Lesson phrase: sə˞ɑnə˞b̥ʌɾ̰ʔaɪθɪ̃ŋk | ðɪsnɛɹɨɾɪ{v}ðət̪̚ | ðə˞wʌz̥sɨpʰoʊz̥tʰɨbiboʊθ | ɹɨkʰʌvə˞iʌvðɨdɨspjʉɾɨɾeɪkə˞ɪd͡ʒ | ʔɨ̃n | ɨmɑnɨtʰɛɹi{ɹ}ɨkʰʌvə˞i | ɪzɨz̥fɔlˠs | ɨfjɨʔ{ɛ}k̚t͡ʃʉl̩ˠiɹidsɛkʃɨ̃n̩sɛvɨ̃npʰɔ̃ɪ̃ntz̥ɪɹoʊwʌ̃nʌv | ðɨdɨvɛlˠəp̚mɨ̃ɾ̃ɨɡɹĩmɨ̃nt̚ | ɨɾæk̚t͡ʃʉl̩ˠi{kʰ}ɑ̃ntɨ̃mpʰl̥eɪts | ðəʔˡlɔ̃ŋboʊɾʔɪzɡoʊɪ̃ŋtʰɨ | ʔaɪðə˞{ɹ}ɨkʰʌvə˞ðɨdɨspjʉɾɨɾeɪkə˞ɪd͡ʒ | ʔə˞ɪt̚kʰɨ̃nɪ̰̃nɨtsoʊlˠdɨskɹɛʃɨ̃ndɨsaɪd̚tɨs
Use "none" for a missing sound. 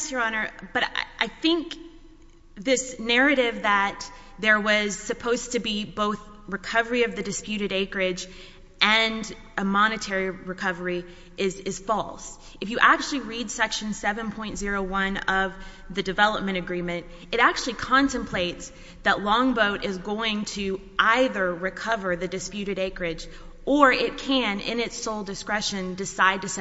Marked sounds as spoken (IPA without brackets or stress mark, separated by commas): v, ɹ, æ, kʰ, ɹ